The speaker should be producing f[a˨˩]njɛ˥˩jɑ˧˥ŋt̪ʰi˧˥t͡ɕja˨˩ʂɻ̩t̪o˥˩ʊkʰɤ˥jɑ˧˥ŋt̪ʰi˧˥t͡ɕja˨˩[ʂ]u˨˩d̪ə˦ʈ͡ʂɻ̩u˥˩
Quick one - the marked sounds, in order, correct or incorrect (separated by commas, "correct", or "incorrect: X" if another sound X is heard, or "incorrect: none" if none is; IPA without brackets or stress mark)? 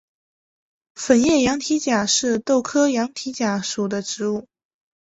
incorrect: ə˨˩, correct